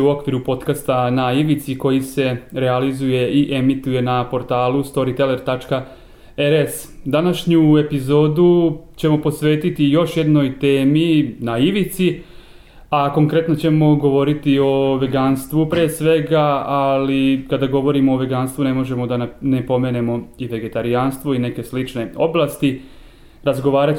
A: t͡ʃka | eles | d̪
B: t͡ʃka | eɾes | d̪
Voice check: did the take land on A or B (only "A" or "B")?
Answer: B